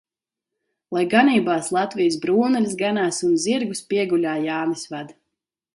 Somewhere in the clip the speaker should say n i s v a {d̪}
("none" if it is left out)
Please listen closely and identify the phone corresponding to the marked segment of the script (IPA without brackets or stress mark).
d̪